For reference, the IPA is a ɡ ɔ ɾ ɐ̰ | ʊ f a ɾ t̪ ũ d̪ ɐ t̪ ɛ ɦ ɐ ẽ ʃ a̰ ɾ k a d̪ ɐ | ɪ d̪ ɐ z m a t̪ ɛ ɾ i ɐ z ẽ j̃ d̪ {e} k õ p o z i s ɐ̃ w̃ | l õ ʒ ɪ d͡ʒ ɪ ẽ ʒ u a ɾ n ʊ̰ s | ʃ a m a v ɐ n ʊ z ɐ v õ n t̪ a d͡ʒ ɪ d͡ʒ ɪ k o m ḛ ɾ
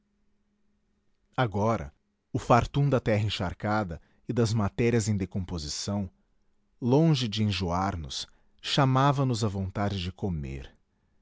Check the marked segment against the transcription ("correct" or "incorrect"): correct